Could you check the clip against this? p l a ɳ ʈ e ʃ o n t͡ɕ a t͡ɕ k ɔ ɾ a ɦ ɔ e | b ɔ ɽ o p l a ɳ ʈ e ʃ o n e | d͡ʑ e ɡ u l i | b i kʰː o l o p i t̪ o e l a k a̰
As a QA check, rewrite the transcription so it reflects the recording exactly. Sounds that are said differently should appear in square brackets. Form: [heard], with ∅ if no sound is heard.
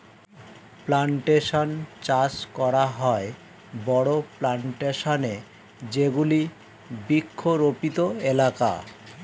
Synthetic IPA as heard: p l a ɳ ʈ e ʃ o n t͡ɕ a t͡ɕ k ɔ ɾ a ɦ ɔ e | b ɔ ɽ o p l a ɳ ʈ e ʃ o n e | d͡ʑ e ɡ u l i | b i kʰː o [ɾ] o p i t̪ o e l a k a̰